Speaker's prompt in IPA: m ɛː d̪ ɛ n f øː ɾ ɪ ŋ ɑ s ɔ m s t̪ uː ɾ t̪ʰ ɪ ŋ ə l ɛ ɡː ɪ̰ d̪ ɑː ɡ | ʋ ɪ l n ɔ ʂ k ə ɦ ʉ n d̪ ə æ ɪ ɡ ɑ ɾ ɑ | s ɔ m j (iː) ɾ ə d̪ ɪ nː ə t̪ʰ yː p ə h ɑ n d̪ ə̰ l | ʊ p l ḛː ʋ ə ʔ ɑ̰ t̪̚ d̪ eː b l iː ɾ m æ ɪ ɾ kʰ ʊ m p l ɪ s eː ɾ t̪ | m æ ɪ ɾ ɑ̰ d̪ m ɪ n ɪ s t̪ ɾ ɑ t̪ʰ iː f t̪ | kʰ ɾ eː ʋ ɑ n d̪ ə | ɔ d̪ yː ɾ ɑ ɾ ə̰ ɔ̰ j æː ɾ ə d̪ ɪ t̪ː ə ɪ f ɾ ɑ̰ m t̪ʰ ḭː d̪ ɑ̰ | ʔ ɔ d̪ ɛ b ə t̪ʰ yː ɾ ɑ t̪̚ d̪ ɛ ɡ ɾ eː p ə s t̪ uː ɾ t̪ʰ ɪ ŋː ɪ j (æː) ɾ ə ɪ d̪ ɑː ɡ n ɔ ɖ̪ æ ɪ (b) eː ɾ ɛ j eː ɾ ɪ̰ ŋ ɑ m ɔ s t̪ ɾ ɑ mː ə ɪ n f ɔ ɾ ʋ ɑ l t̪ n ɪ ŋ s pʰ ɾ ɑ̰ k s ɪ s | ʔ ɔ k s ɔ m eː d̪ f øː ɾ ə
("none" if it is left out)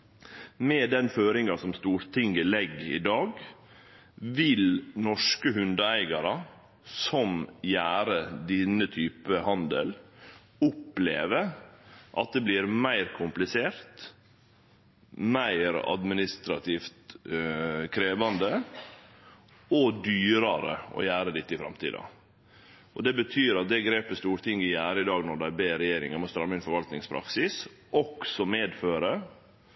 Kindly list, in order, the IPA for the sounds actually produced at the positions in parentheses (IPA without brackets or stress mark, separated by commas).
æː, æː, b